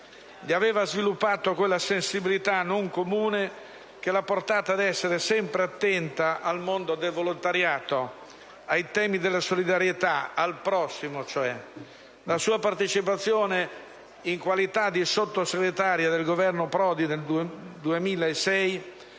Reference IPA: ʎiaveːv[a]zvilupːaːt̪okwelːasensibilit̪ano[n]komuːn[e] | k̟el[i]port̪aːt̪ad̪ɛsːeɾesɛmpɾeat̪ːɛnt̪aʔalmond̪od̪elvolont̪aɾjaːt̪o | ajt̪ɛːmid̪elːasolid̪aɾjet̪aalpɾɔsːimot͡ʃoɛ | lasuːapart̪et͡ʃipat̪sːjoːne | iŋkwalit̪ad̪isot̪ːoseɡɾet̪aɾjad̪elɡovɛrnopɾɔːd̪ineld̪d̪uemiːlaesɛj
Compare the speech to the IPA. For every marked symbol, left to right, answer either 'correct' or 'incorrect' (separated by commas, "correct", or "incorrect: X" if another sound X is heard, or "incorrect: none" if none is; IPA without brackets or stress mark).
correct, incorrect: ŋ, correct, incorrect: a